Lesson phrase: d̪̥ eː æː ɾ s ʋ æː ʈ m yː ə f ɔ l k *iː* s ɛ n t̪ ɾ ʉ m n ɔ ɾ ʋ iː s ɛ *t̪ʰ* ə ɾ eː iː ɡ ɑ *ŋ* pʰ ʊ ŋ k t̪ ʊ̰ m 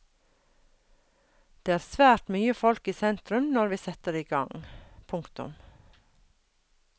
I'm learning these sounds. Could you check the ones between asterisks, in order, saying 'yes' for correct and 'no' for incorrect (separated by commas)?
yes, no, yes